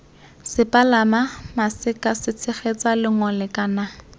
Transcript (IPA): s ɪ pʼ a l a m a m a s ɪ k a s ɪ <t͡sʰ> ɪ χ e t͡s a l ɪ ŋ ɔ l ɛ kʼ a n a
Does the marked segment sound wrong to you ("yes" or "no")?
no